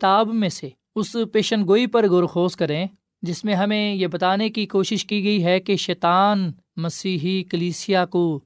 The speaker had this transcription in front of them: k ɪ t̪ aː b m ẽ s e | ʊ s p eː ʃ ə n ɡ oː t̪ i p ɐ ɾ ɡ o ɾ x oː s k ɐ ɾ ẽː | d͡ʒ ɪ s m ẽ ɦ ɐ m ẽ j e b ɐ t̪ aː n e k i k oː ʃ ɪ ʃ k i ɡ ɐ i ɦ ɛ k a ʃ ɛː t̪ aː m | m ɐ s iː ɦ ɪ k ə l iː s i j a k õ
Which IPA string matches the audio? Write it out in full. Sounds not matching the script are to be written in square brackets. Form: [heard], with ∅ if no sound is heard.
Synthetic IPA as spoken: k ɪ t̪ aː b m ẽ s e | ʊ s p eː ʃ ə n ɡ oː [∅] i p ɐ ɾ ɡ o ɾ x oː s k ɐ ɾ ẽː | d͡ʒ ɪ s m ẽ ɦ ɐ m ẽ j e b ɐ t̪ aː n e k i k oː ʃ ɪ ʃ k i ɡ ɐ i ɦ ɛ k [e] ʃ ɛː t̪ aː [n] | m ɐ s iː ɦ [i] k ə l iː s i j a k [o]